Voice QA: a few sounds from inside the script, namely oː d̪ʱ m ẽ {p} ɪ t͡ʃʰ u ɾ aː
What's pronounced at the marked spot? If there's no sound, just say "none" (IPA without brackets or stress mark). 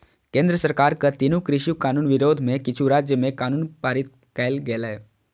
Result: k